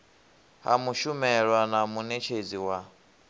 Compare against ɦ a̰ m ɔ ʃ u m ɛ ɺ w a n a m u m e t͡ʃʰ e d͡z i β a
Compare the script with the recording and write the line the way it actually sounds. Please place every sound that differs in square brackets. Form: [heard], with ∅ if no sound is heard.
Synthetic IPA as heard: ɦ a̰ m [u] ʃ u m ɛ ɺ w a n a m u [n] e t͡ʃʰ e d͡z i [w] a